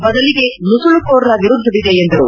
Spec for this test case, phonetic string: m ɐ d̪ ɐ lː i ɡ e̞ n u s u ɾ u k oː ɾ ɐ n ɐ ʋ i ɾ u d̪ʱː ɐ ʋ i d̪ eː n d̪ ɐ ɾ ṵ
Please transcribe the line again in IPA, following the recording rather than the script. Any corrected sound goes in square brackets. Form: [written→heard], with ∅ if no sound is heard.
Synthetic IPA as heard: [m→b] ɐ d̪ ɐ [lː→l] i ɡ e̞ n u s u [ɾ→ɭ] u k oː ɾ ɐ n ɐ ʋ i ɾ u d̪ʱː ɐ ʋ i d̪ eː n d̪ ɐ ɾ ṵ